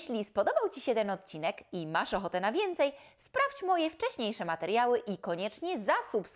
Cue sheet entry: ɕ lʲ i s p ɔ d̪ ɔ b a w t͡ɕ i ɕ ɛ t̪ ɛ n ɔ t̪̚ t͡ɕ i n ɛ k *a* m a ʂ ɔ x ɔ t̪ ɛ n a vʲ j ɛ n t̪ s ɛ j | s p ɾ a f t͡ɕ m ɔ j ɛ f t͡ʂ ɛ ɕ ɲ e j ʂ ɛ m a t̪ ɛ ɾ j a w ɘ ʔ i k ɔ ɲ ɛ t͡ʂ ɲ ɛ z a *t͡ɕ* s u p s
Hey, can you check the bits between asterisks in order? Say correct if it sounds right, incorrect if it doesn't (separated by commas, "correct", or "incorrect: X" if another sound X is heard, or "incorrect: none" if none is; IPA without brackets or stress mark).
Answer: incorrect: i, incorrect: none